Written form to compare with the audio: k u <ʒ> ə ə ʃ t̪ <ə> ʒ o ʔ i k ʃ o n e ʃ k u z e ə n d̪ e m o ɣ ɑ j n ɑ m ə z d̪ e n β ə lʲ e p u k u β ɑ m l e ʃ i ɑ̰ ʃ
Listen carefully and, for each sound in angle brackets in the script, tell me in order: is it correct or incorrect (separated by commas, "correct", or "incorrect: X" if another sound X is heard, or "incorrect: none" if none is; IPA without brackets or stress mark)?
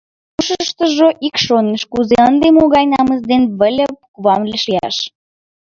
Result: incorrect: ʃ, correct